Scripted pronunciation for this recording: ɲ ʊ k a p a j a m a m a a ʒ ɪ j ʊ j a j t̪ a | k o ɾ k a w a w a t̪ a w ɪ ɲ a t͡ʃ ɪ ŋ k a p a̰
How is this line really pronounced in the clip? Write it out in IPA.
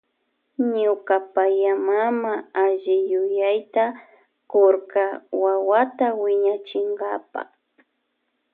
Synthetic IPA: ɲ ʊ k a p a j a m a m a a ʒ ɪ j ʊ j a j t̪ a | k o ɾ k a w a w a t̪ a w ɪ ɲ a t͡ʃ ɪ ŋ ɡ a p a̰

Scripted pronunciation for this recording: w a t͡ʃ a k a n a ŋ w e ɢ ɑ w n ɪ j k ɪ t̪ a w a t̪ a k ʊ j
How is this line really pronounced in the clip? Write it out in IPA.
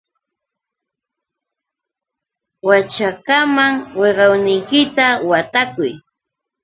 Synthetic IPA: w a t͡ʃ a k a m a ŋ w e ɢ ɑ w n ɪ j k ɪ t̪ a w a t̪ a k ʊ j

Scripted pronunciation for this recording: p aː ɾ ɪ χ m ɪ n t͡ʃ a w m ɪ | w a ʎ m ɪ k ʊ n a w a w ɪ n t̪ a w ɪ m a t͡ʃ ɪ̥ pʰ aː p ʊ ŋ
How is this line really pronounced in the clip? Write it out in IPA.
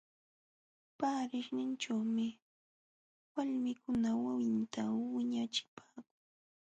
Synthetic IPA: p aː ɾ ɪ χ n ɪ n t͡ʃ a w m ɪ | w a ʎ m ɪ k ʊ n a w a w ɪ n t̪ a w ɪ ɲ a t͡ʃ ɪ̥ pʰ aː k ʊ ŋ

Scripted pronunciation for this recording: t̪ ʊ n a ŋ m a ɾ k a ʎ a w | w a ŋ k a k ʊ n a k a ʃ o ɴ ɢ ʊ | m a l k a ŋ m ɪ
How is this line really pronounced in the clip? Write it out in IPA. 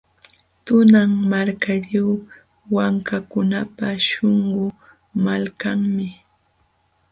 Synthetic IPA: t̪ ʊ n a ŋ m a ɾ k a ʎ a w | w a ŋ k a k ʊ n a p a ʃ o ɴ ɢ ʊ | m a l k a ŋ m ɪ

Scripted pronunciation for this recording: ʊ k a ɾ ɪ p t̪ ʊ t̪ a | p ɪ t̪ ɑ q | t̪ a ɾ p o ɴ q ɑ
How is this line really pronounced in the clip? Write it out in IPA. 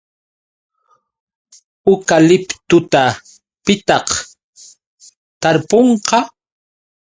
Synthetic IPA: ʊ k a l ɪ p t̪ ʊ t̪ a | p ɪ t̪ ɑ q | t̪ a ɾ p o ɴ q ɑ

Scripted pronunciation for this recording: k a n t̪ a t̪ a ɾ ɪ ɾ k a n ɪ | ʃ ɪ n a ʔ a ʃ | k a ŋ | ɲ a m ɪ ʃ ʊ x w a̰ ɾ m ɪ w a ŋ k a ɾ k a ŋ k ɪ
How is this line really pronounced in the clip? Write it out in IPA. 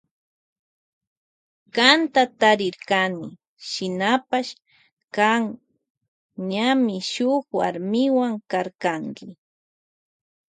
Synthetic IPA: k a n t̪ a t̪ a ɾ ɪ ɾ k a n ɪ | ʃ ɪ n a p a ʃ | k a ŋ | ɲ a m ɪ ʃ ʊ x w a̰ ɾ m ɪ w a ŋ k a ɾ k a ŋ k ɪ

